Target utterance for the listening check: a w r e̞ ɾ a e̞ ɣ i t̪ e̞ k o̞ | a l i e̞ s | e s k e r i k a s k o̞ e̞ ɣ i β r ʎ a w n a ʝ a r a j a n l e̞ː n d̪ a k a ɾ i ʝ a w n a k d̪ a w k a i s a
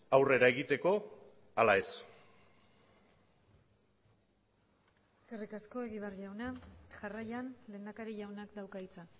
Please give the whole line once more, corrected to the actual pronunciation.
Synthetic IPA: a w r e̞ ɾ a e̞ ɣ i t̪ e̞ k o̞ | a l a e̞ s | e s k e r i k a s k o̞ e̞ ɣ i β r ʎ a w n a ʝ a r a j a n l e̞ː n d̪ a k a ɾ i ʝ a w n a k d̪ a w k a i t͡s a